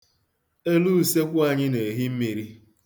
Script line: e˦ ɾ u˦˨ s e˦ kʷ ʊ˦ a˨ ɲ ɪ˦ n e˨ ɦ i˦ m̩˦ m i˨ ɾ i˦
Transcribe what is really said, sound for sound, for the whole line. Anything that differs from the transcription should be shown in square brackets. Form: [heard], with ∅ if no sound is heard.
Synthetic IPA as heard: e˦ [l] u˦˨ s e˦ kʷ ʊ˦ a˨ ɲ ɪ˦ n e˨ ɦ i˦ m̩˦ m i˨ ɾ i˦